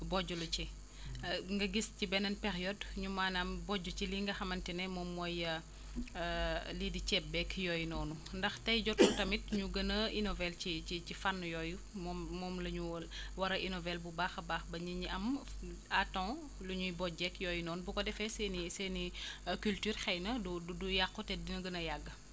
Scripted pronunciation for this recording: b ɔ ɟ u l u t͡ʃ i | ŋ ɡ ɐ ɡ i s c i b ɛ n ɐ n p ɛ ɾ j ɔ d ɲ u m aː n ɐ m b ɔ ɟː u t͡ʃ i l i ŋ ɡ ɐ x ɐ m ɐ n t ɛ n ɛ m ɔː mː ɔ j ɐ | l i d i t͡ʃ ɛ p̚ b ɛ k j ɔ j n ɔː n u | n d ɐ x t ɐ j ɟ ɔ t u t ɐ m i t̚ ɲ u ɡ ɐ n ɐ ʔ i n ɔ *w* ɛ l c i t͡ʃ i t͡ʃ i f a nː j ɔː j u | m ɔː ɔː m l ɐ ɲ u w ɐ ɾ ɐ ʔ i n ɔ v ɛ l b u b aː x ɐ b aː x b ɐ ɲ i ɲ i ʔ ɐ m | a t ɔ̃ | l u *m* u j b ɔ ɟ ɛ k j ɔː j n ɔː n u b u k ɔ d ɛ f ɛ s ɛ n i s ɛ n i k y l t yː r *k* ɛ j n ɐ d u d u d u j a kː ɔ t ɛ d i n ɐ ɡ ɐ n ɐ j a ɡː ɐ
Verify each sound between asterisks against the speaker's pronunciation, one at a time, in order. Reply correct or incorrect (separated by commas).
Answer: incorrect, incorrect, incorrect